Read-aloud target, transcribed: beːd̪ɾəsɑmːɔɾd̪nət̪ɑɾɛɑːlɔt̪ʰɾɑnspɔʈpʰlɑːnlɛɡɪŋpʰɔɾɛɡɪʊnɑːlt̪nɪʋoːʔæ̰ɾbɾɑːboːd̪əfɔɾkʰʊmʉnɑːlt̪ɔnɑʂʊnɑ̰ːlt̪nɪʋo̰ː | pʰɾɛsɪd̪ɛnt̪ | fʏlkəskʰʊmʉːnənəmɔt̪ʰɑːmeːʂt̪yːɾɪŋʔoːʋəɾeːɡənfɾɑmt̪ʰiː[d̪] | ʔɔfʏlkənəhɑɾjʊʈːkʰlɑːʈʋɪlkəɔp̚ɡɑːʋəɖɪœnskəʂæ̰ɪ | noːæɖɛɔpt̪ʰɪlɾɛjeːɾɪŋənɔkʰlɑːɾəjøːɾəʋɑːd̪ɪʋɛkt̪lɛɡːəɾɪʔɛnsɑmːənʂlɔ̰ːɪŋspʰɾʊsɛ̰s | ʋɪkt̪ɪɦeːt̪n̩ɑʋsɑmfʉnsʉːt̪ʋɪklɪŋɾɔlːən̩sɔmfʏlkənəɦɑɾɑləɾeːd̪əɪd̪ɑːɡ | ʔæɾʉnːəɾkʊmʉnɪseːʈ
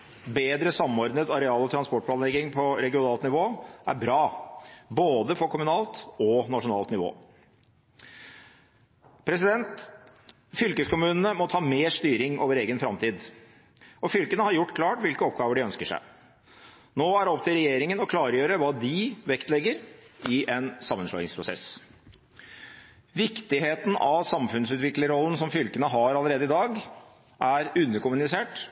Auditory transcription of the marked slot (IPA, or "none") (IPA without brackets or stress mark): d̪